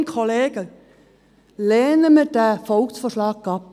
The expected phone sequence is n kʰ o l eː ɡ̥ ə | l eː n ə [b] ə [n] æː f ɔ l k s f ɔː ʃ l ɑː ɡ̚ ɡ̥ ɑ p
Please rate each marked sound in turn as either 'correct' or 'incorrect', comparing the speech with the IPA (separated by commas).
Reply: incorrect, incorrect